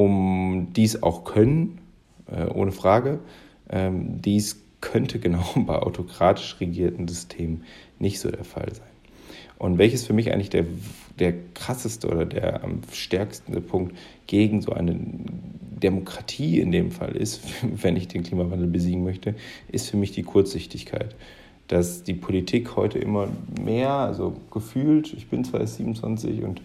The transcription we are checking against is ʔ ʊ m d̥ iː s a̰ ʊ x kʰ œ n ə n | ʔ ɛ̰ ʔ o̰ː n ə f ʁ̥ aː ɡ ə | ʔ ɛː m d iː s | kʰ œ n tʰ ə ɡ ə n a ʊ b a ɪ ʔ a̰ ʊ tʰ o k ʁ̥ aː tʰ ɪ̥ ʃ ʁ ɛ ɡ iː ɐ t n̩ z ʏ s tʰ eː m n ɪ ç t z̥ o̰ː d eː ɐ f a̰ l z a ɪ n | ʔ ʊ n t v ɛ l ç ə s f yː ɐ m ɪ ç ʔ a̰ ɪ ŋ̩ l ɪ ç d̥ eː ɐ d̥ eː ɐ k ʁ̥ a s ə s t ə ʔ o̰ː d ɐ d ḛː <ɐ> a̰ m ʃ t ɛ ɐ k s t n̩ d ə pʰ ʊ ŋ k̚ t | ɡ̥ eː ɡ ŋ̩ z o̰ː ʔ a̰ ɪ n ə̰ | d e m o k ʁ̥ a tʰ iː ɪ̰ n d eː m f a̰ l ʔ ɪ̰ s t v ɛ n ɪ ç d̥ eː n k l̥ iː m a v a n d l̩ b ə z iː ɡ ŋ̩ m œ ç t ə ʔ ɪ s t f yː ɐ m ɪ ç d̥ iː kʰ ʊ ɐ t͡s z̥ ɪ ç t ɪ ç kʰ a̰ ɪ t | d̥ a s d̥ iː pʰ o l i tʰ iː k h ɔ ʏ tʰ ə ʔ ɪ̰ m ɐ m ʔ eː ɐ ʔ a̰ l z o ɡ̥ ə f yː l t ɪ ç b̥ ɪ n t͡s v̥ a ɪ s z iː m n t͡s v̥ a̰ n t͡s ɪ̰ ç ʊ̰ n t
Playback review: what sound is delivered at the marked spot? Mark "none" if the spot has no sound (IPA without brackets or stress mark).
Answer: ɐ